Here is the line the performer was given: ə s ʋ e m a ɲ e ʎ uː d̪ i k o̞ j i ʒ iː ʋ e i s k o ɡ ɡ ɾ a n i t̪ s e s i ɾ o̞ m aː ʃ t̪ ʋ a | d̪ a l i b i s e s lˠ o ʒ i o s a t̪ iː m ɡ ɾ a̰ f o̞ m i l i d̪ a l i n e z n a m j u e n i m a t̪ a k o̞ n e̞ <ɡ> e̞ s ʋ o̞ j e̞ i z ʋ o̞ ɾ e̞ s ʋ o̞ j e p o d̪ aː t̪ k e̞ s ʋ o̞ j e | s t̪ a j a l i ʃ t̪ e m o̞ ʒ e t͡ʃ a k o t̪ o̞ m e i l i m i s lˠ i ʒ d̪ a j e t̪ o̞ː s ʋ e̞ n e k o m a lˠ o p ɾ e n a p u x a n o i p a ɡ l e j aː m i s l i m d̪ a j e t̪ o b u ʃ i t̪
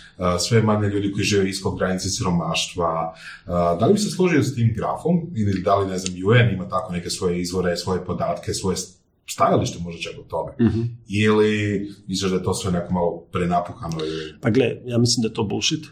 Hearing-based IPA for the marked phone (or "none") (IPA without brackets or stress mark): k